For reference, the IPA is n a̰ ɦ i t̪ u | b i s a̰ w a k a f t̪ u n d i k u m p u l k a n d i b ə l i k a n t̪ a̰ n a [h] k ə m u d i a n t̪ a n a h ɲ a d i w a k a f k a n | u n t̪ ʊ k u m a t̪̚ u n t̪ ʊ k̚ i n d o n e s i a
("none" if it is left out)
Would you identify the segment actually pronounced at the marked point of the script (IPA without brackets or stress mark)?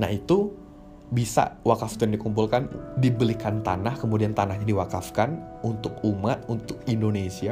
h